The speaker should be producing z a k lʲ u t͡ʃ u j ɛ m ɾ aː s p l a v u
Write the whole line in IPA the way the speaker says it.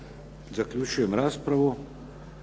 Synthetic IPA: z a k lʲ u t͡ʃ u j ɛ m ɾ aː s p ɾ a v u